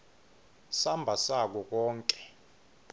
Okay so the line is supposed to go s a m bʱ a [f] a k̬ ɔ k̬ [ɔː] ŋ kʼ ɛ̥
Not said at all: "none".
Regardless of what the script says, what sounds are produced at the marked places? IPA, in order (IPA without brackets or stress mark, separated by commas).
s, ɔː